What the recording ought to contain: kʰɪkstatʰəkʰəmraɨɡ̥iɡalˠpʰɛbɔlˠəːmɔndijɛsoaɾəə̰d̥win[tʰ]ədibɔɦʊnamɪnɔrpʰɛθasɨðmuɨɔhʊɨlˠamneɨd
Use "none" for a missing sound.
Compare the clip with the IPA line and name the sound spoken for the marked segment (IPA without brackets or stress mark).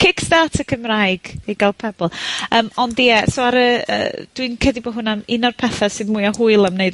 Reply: kʰ